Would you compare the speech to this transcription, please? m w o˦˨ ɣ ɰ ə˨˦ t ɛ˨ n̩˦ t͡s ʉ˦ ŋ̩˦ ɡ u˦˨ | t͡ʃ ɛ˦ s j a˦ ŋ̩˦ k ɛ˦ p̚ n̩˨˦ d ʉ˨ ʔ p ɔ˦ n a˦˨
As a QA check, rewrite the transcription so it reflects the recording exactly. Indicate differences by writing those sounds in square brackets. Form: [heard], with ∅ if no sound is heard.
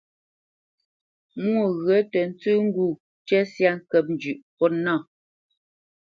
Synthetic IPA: m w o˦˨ ɣ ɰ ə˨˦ t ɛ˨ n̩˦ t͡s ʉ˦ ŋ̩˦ ɡ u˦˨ | t͡ʃ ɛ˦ s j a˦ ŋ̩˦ k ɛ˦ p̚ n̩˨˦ [d͡ʒ] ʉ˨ ʔ p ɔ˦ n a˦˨